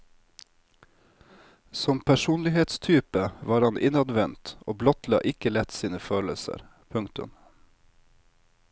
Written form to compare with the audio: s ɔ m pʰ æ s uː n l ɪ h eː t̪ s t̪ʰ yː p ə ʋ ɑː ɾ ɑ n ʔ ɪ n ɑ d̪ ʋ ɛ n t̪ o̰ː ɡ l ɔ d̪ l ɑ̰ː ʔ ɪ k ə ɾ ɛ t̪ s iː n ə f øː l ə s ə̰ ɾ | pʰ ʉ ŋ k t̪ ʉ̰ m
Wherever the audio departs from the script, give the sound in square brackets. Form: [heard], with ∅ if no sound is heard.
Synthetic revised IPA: s ɔ m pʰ æ [ʃ] uː n l ɪ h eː t̪ s t̪ʰ yː p ə ʋ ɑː ɾ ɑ n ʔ ɪ n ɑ d̪ ʋ ɛ n t̪ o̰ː [b] l ɔ [t̪] l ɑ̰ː ʔ ɪ k ə [l] ɛ t̪ s iː n ə f øː l ə s ə̰ ɾ | pʰ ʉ ŋ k t̪ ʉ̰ m

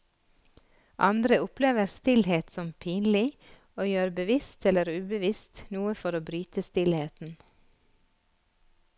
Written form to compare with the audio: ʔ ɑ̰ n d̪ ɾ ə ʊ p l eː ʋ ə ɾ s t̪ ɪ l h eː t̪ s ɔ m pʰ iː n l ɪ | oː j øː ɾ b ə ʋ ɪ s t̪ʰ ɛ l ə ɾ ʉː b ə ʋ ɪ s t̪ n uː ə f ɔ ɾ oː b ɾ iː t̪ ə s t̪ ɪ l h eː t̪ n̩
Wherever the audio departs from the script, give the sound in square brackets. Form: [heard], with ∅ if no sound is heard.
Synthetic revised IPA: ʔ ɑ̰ n d̪ ɾ ə ʊ p l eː ʋ ə ɾ s t̪ ɪ l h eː t̪ s ɔ m pʰ iː n l ɪ | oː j øː ɾ b ə ʋ ɪ s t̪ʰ ɛ l ə ɾ ʉː b ə ʋ ɪ s t̪ n uː ə f ɔ ɾ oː b ɾ [yː] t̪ ə s t̪ ɪ l h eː t̪ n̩

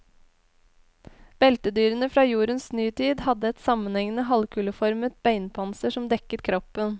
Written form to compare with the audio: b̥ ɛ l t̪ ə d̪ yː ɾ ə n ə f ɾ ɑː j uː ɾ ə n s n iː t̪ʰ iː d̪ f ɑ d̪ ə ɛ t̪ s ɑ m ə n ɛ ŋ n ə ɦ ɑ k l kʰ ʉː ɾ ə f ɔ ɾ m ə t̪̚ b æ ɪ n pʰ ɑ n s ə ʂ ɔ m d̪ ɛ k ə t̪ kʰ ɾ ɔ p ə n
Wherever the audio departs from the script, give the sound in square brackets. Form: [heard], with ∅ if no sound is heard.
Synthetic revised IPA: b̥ ɛ l t̪ ə d̪ yː ɾ ə n ə f ɾ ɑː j uː ɾ ə n s n [yː] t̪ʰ iː d̪ [h] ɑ d̪ ə ɛ t̪ s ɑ m ə n ɛ ŋ n ə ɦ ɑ [∅] l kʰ ʉː [l] ə f ɔ ɾ m ə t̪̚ b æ ɪ n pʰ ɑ n s ə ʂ ɔ m d̪ ɛ k ə t̪ kʰ ɾ ɔ p ə n

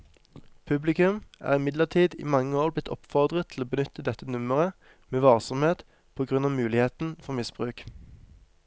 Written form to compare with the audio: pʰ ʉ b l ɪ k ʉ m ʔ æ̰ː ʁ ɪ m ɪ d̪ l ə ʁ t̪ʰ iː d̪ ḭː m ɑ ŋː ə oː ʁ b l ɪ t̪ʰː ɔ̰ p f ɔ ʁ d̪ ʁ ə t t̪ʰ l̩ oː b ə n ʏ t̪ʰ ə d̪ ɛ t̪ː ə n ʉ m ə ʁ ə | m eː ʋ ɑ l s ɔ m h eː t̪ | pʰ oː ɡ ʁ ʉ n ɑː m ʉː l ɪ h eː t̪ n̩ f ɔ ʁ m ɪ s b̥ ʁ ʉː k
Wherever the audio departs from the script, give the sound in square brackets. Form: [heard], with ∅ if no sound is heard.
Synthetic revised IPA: pʰ ʉ b l ɪ k ʉ m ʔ æ̰ː ʁ ɪ m ɪ d̪ l ə ʁ t̪ʰ iː d̪ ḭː m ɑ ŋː ə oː ʁ b l ɪ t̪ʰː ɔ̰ p f ɔ ʁ d̪ ʁ ə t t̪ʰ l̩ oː b ə n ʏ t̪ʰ ə d̪ ɛ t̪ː ə n ʉ m ə ʁ ə | m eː ʋ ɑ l s ɔ m h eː t̪ | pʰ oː ɡ ʁ ʉ n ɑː m ʉː l ɪ h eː t̪ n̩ f ɔ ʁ m ɪ s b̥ ʁ ʉː k

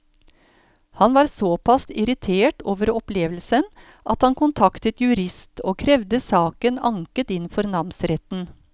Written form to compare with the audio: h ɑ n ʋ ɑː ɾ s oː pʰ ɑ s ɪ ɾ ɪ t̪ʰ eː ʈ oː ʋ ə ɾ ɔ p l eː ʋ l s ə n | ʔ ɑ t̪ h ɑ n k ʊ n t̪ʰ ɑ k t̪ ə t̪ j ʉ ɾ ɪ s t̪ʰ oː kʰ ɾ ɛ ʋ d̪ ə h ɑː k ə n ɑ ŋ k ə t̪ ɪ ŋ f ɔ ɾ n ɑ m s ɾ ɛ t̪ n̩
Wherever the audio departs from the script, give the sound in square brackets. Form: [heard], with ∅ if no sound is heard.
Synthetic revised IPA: h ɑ n ʋ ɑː ɾ s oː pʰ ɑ s ɪ ɾ ɪ t̪ʰ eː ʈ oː ʋ ə ɾ ɔ p l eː ʋ l s ə n | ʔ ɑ t̪ h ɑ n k ʊ n t̪ʰ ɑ k t̪ ə t̪ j ʉ ɾ ɪ s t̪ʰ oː kʰ ɾ ɛ ʋ d̪ ə [s] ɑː k ə n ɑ ŋ k ə t̪ ɪ [n] f ɔ ɾ n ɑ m s ɾ ɛ t̪ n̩

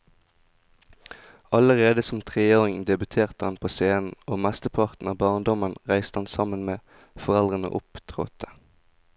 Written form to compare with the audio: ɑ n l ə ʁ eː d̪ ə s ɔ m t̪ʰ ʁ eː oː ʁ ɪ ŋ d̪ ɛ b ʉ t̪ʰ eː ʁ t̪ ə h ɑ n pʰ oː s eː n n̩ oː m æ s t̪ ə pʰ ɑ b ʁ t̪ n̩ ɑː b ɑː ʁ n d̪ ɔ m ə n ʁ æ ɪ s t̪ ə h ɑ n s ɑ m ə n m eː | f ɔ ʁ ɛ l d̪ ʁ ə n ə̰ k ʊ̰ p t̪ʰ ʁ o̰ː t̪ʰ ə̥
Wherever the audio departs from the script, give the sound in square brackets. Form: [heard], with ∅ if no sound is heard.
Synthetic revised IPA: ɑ [∅] l ə ʁ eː d̪ ə s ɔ m t̪ʰ ʁ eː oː ʁ ɪ ŋ d̪ ɛ b ʉ t̪ʰ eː ʁ t̪ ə h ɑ n pʰ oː s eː n n̩ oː m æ s t̪ ə pʰ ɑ [∅] ʁ t̪ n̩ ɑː b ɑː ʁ n d̪ ɔ m ə n ʁ æ ɪ s t̪ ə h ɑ n s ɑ m ə n m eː | f ɔ ʁ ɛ l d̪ ʁ ə n ə̰ [ʔ] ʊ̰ p t̪ʰ ʁ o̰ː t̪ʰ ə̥

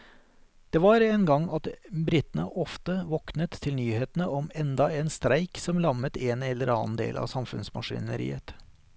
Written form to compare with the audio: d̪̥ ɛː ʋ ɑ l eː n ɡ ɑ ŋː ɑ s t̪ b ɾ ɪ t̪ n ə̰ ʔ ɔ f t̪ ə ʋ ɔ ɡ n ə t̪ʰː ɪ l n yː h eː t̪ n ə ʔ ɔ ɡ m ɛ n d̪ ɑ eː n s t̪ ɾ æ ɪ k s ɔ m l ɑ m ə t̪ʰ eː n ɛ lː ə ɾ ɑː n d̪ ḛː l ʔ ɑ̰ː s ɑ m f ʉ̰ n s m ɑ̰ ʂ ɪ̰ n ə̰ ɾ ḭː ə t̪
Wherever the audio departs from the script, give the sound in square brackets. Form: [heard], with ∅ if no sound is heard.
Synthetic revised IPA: d̪̥ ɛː ʋ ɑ [ɾ] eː n ɡ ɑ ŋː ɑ [∅] t̪ b ɾ ɪ t̪ n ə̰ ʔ ɔ f t̪ ə ʋ ɔ [k] n ə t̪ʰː ɪ l n yː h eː t̪ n ə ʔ ɔ [∅] m ɛ n d̪ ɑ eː n s t̪ ɾ æ ɪ k s ɔ m l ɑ m ə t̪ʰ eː n ɛ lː ə ɾ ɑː n d̪ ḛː l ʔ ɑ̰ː s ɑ m f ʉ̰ n s m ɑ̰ ʂ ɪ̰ n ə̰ ɾ ḭː ə t̪

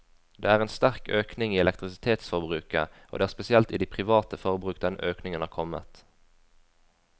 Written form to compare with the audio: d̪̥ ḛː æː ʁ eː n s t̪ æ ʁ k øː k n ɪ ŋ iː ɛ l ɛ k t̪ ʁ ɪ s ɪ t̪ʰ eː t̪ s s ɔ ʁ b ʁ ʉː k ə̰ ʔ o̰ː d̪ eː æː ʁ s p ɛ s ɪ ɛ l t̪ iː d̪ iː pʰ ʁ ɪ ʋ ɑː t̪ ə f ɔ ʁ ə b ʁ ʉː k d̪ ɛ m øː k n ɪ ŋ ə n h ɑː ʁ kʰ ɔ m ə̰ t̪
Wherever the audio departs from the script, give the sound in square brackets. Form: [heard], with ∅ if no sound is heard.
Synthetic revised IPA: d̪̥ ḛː æː ʁ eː n s t̪ æ ʁ k øː k n ɪ ŋ iː ɛ l ɛ k t̪ ʁ ɪ s ɪ t̪ʰ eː t̪ s [f] ɔ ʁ b ʁ ʉː k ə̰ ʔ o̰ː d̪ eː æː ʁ s p ɛ s ɪ ɛ l t̪ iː d̪ iː pʰ ʁ ɪ ʋ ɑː t̪ ə f ɔ ʁ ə b ʁ ʉː k d̪ ɛ [n] øː k n ɪ ŋ ə n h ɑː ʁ kʰ ɔ m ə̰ t̪

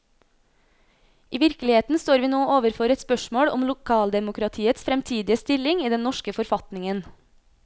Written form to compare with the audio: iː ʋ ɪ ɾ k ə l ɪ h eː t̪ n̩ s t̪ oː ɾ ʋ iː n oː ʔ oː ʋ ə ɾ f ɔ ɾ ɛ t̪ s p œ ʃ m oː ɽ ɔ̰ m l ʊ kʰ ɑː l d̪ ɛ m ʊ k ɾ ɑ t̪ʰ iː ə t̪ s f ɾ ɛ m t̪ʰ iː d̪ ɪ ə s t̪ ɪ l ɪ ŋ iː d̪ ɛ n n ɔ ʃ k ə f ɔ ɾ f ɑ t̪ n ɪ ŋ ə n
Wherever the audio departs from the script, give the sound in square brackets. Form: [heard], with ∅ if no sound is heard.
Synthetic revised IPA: iː ʋ ɪ ɾ k ə l ɪ h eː t̪ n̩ s t̪ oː ɾ ʋ iː n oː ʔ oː ʋ ə ɾ f ɔ ɾ ɛ t̪ s p œ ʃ m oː ɽ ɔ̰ m l ʊ kʰ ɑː l d̪ ɛ m ʊ k ɾ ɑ t̪ʰ iː ə t̪ s f ɾ ɛ m t̪ʰ iː d̪ ɪ ə s t̪ ɪ l ɪ ŋ iː d̪ ɛ n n ɔ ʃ k ə f ɔ ɾ f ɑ t̪ n ɪ ŋ ə n

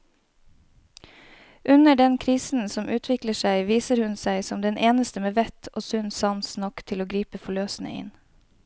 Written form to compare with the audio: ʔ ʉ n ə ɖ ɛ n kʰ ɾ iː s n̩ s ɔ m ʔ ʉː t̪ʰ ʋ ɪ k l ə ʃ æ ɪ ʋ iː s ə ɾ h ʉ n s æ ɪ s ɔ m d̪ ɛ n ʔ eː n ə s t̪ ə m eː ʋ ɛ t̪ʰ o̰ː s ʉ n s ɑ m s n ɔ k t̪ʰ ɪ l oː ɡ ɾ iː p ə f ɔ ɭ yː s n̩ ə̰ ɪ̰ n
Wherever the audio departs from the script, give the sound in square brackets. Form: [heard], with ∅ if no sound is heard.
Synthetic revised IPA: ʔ ʉ n ə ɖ ɛ n kʰ ɾ iː s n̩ s ɔ m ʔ ʉː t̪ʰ ʋ ɪ k l ə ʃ æ ɪ ʋ iː s ə ɾ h ʉ n s æ ɪ s ɔ m d̪ ɛ n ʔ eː n ə s t̪ ə m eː ʋ ɛ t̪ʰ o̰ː s ʉ n s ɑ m s n ɔ k t̪ʰ ɪ l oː ɡ ɾ iː p ə f ɔ ɭ [øː] s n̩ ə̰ ɪ̰ n

